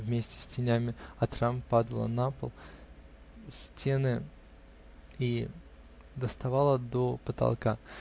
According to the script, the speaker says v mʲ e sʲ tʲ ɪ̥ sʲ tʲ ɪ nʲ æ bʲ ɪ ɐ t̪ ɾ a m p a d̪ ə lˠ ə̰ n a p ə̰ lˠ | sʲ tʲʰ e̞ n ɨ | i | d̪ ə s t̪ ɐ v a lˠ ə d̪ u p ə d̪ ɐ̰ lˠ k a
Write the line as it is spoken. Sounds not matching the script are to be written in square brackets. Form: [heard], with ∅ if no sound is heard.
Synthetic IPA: v mʲ e sʲ tʲ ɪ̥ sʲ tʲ ɪ nʲ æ [mʲ] ɪ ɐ t̪ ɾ a m p a d̪ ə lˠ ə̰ n a p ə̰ lˠ | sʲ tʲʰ e̞ n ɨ | i | d̪ ə s t̪ ɐ v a lˠ ə d̪ [o] p ə [t̪] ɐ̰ lˠ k a